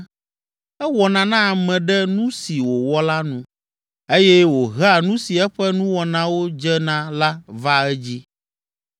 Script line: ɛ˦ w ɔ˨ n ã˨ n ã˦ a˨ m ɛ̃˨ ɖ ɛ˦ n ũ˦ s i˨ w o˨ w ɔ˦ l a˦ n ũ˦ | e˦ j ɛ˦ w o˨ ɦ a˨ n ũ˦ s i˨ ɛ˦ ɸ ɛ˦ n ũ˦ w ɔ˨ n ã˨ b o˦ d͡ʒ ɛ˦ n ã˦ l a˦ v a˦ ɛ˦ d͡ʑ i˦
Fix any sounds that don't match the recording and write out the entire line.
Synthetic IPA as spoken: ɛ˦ w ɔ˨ n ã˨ n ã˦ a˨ m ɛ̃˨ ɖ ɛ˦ n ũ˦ s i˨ w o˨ w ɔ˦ l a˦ n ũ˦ | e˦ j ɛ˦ w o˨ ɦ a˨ n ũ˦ s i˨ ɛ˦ ɸ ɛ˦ n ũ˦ w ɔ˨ n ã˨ w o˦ d͡ʒ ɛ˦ n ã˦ l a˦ v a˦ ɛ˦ d͡ʑ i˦